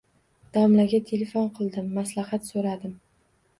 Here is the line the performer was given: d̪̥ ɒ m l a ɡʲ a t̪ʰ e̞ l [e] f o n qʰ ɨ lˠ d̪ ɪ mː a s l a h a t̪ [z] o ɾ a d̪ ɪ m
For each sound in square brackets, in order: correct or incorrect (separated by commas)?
correct, incorrect